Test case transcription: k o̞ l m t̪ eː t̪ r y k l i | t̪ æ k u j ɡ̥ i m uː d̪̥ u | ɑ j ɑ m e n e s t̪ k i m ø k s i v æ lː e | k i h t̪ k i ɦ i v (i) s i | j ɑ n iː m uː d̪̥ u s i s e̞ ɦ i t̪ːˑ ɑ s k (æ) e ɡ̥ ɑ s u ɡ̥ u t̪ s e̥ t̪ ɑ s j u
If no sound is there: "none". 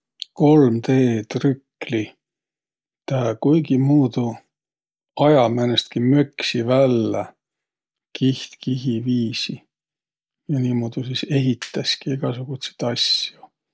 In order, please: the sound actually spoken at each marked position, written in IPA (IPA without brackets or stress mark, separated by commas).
iː, i